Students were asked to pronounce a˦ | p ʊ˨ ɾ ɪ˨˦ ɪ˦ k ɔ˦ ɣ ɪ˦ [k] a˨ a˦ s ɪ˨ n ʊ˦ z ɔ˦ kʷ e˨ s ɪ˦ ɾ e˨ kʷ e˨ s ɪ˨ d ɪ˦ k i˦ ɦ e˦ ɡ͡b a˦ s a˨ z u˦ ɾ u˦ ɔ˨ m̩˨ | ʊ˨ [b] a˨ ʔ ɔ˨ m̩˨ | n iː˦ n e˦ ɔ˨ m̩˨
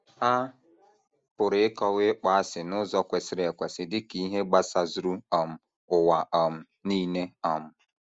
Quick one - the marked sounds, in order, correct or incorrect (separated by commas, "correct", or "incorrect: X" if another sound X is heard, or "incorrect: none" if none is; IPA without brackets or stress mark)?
incorrect: k͡p, incorrect: w